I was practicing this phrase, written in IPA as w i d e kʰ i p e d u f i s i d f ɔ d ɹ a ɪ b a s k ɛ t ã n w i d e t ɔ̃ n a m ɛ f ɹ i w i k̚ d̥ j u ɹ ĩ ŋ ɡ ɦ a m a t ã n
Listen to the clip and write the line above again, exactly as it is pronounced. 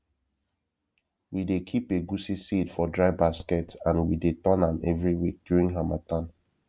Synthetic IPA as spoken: w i d e kʰ i p e ɡ u s i s i d f ɔ d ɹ a ɪ b a s k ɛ t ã n w i d e t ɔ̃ n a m ɛ v ɹ i w i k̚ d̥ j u ɹ ĩ ŋ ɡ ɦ a m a t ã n